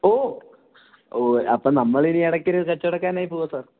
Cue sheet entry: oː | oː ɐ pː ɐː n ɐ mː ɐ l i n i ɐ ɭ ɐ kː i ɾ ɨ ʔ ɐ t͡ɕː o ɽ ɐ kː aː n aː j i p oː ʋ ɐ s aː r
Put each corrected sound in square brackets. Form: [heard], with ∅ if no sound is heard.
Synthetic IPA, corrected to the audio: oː | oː ɐ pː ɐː n ɐ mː ɐ [ɭ] i n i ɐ [ɽ] ɐ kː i ɾ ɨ [k] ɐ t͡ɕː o ɽ ɐ kː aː n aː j i p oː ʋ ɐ s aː r